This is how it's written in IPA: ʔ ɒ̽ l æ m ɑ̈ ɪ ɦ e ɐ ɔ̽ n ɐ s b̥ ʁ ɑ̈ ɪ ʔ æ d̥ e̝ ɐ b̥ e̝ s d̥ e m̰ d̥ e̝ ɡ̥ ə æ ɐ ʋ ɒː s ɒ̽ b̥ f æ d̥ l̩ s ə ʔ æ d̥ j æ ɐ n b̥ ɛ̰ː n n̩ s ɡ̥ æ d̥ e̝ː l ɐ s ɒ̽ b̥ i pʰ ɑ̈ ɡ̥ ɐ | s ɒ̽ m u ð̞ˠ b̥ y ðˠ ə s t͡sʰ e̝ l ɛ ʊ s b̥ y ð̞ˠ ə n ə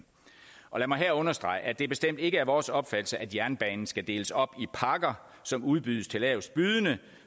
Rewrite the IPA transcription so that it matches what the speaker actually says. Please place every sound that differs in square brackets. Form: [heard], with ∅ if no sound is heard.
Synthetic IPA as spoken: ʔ ɒ̽ l æ m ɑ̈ ɪ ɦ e ɐ ɔ̽ n ɐ s [d̥] ʁ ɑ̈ ɪ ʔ æ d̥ e̝ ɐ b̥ e̝ s d̥ e m̰ d̥ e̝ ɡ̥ ə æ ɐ ʋ ɒː s ɒ̽ b̥ f æ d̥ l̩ s ə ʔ æ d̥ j æ ɐ n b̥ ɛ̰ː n n̩ s ɡ̥ æ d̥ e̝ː l [ə] s ɒ̽ b̥ i pʰ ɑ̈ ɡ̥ ɐ | s ɒ̽ m u ð̞ˠ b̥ y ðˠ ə s t͡sʰ e̝ l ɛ ʊ s b̥ y ð̞ˠ ə n ə